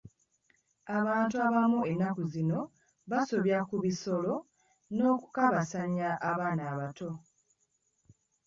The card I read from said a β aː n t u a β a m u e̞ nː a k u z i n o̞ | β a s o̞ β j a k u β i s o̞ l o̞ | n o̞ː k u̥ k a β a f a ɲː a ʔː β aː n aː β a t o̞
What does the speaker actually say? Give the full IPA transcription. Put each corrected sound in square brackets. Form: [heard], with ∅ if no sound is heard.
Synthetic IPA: a β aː n t u a β a m u e̞ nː a k u z i n o̞ | β a s o̞ β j a k u β i s o̞ l o̞ | n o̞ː k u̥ k a β a [s] a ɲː a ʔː β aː n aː β a t o̞